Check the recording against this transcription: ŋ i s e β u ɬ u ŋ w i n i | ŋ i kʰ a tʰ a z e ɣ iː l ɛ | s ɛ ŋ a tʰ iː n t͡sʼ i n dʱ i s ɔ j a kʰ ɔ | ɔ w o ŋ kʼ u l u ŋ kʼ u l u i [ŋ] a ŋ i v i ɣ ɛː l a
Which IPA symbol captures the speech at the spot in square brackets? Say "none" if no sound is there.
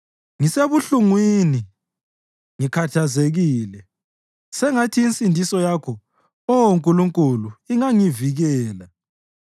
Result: ŋ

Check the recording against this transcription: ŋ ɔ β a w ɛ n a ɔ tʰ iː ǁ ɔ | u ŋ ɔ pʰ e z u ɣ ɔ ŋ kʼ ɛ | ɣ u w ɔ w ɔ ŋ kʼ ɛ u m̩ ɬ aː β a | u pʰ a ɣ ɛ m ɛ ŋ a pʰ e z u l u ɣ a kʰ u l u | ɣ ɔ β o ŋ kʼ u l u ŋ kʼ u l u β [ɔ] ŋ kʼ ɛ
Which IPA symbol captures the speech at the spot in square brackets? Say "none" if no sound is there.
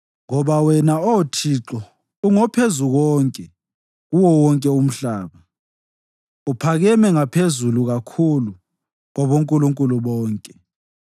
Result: ɔː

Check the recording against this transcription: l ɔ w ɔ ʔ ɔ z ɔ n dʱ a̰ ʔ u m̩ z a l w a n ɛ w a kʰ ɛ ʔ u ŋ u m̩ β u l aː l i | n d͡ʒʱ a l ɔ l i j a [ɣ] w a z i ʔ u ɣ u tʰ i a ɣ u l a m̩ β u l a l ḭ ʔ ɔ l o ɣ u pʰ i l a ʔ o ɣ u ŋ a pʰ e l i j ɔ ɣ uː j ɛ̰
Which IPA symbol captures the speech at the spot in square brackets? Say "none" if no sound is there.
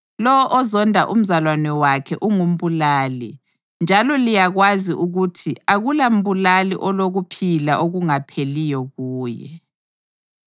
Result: ɣ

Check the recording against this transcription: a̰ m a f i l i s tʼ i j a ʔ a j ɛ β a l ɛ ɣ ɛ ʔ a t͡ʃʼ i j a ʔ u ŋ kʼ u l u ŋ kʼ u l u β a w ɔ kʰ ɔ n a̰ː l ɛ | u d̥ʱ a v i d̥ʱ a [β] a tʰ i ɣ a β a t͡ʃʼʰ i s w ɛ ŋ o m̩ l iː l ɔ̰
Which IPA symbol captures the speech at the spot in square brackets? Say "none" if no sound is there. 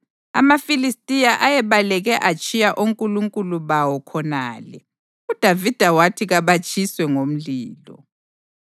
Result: w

